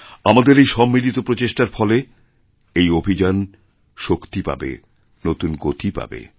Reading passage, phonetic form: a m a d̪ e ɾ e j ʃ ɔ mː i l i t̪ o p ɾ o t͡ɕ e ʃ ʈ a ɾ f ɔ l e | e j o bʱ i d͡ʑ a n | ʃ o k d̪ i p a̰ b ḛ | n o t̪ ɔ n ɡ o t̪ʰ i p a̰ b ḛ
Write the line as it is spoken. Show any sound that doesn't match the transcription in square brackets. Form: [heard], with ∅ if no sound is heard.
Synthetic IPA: a m a d̪ e ɾ e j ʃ ɔ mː i l i t̪ o p ɾ o t͡ɕ e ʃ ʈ a ɾ f ɔ l e | e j o bʱ i d͡ʑ a n | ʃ o k [t̪] i p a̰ b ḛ | n o t̪ [u] n ɡ o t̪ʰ i p a̰ b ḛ